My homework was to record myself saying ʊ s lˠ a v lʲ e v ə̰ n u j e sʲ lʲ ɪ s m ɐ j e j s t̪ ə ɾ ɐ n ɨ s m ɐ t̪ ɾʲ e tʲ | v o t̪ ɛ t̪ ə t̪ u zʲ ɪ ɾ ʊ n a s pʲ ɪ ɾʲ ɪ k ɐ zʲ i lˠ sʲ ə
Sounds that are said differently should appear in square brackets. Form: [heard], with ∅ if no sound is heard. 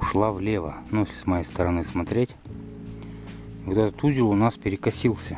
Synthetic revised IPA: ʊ [ʂ] lˠ a v lʲ e v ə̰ n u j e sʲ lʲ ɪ s m ɐ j e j s t̪ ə ɾ ɐ n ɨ s m ɐ t̪ ɾʲ e tʲ | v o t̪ ɛ t̪ ə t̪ u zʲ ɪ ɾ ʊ n a s pʲ ɪ ɾʲ ɪ k ɐ [sʲ] i lˠ sʲ ə

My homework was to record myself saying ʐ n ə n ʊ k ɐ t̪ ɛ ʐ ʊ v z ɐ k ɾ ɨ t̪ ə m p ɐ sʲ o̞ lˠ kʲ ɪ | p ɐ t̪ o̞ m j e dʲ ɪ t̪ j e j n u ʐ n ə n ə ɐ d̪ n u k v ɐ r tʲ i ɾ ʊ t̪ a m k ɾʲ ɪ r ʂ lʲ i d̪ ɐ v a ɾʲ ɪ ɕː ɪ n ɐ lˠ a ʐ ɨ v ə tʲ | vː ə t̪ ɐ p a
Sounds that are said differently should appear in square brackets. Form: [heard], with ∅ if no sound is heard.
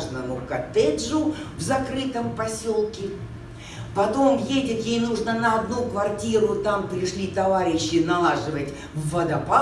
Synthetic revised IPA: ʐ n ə n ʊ k ɐ t̪ ɛ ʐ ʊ v z ɐ k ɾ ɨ t̪ ə m p ɐ sʲ o̞ lˠ kʲ ɪ | p ɐ t̪ o̞ m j e dʲ ɪ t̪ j e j n u ʐ n ə n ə ɐ d̪ n u k v ɐ r tʲ i ɾ ʊ t̪ a m [p] ɾʲ ɪ [∅] ʂ lʲ i [t̪] ɐ v a ɾʲ ɪ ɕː ɪ n ɐ lˠ a ʐ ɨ v ə tʲ | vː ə [d̪] ɐ p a

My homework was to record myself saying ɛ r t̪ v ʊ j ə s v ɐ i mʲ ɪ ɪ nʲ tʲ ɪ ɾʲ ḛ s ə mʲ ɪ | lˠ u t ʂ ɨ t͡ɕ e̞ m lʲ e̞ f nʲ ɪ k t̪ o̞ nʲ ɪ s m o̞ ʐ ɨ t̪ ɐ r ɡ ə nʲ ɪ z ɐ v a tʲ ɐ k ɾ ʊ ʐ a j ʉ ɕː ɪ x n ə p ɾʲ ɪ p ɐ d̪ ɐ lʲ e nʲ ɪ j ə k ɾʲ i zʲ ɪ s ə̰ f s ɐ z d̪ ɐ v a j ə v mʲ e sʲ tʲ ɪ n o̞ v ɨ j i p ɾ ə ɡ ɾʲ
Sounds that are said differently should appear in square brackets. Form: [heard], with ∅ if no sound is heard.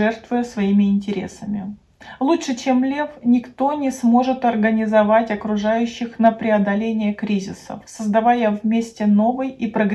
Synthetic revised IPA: ɛ r t̪ v ʊ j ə s v ɐ i mʲ ɪ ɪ nʲ tʲ ɪ ɾʲ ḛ s ə mʲ ɪ | lˠ u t ʂ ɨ t͡ɕ e̞ m lʲ e̞ f nʲ ɪ k t̪ o̞ nʲ ɪ s m o̞ ʐ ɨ t̪ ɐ r ɡ ə nʲ ɪ z ɐ v a tʲ ɐ k ɾ ʊ ʐ a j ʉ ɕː ɪ x n ə p ɾʲ ɪ [∅] ɐ d̪ ɐ lʲ e nʲ ɪ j ə k ɾʲ i zʲ ɪ s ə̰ f s [ə] z d̪ ɐ v a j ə v mʲ e sʲ tʲ ɪ n o̞ v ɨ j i p ɾ ə ɡ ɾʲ

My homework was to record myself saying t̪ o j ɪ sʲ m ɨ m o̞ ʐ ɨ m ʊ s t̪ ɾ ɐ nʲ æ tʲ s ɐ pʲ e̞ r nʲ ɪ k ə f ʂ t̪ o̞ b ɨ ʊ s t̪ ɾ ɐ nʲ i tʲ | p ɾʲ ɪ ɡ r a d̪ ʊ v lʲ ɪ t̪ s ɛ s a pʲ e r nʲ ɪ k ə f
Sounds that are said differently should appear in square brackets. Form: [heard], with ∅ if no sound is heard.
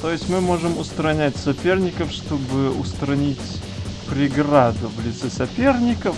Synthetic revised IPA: t̪ o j ɪ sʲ m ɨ m o̞ ʐ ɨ m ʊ s t̪ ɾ ɐ nʲ æ tʲ s ɐ pʲ e̞ r nʲ ɪ k ə f ʂ t̪ o̞ b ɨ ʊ s t̪ ɾ ɐ nʲ i tʲ | p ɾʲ ɪ ɡ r a d̪ ʊ v lʲ ɪ t̪ s ɛ s [ɐ] pʲ e r nʲ ɪ k ə f

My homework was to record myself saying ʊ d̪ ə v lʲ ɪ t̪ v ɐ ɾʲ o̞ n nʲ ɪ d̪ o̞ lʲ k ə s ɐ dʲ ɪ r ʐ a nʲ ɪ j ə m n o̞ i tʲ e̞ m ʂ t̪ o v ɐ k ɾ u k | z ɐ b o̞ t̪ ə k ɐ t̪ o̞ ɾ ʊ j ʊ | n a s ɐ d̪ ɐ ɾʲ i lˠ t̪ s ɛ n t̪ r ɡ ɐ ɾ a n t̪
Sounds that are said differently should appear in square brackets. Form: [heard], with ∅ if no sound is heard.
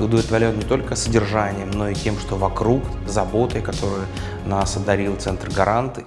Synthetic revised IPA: ʊ d̪ ə v lʲ ɪ t̪ v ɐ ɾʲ o̞ n nʲ ɪ [t̪] o̞ lʲ k ə s [ə] dʲ ɪ r ʐ a nʲ ɪ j ə m n o̞ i tʲ e̞ m ʂ t̪ o v ɐ k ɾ u k | z ɐ b o̞ t̪ ə k ɐ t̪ o̞ ɾ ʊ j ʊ | n a s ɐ d̪ ɐ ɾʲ i lˠ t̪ s ɛ n t̪ r ɡ ɐ ɾ a n t̪

